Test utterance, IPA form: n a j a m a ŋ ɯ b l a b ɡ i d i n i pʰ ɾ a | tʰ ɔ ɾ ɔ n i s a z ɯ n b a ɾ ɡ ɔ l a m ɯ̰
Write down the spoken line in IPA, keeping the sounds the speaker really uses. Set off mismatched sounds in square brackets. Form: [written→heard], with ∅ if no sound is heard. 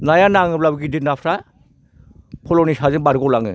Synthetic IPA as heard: n a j a [m→n] a ŋ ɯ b l a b ɡ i d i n [i→a] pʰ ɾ a | [tʰ→pʰ] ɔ [ɾ→l] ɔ n i s a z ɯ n b a ɾ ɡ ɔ l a [m→ŋ] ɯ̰